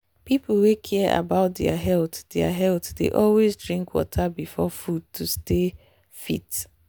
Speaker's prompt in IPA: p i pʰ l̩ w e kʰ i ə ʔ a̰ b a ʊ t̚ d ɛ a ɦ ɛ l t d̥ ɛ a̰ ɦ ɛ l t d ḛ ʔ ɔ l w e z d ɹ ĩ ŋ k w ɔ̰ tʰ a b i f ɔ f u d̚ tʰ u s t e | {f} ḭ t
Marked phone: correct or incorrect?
correct